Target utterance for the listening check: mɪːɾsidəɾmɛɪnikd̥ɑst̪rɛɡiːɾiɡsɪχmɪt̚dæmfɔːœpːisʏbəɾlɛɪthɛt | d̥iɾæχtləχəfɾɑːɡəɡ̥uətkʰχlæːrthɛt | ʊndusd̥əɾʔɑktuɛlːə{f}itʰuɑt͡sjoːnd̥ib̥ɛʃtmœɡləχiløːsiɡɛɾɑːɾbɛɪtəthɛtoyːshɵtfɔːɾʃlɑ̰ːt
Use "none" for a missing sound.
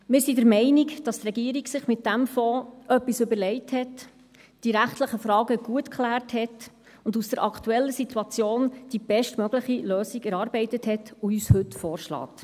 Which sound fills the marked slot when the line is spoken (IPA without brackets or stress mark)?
s